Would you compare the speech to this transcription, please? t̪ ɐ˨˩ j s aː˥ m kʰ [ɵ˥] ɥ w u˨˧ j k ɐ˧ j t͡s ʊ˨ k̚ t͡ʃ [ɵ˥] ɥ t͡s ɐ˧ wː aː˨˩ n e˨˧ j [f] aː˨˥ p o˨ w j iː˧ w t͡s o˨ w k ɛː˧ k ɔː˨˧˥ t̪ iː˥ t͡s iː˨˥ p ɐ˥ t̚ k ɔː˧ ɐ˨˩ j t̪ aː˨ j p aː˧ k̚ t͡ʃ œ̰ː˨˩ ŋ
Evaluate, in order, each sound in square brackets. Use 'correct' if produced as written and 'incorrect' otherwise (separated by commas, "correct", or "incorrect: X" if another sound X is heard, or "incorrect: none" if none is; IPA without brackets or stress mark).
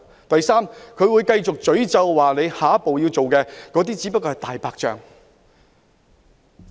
incorrect: ɵ˨˧, incorrect: ɵ˨˥, incorrect: h